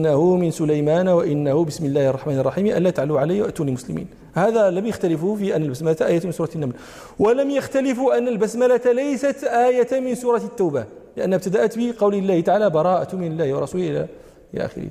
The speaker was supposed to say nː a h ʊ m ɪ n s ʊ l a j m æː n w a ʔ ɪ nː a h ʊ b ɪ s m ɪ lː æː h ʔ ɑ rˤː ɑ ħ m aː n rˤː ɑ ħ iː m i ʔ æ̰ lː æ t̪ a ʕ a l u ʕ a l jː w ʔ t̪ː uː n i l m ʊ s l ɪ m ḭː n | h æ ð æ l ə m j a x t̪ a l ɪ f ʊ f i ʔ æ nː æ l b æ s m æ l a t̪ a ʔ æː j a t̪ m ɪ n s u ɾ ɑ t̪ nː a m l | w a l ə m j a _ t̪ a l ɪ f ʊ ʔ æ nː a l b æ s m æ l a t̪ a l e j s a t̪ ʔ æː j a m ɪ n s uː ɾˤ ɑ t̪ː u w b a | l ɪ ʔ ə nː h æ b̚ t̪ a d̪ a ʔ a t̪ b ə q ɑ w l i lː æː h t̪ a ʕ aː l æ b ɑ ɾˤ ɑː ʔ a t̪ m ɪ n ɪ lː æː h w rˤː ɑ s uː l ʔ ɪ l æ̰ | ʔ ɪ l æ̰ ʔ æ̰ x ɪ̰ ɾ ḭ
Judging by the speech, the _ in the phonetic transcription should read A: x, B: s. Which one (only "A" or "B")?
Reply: A